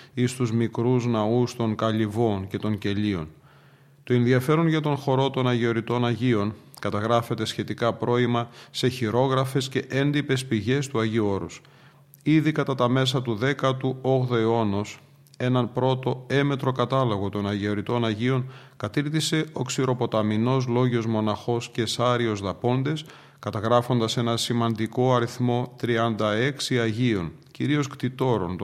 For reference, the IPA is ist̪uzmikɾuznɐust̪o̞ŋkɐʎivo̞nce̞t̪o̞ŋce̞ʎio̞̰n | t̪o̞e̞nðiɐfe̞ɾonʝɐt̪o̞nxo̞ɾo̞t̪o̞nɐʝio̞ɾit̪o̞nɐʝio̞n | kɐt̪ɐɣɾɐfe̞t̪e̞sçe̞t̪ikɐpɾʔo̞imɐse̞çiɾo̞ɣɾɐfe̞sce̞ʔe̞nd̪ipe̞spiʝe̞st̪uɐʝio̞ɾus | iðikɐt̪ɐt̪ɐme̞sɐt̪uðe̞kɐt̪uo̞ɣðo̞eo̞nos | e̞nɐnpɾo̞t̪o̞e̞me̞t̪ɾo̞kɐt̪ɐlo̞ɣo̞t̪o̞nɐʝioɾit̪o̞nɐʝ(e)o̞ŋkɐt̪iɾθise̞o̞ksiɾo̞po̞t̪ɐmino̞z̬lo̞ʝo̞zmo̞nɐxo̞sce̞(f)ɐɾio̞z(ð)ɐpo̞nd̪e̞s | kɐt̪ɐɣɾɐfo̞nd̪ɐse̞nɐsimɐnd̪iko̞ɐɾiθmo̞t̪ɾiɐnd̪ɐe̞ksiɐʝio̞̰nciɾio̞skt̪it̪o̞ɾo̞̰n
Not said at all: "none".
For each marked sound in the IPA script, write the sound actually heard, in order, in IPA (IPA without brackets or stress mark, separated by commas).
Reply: i, s, ð